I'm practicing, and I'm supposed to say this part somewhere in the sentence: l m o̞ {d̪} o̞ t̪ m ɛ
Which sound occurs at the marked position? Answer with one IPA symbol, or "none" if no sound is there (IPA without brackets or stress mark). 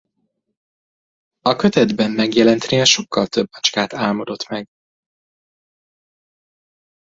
d̪